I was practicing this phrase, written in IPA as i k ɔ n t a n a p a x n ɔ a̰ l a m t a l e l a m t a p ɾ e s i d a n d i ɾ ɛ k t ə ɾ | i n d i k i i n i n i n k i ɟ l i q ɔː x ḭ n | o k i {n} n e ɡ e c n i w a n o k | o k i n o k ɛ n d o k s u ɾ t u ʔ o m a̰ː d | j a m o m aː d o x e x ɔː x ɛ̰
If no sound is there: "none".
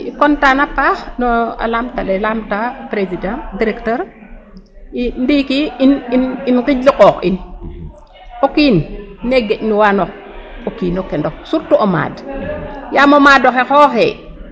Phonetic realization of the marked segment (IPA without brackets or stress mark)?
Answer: n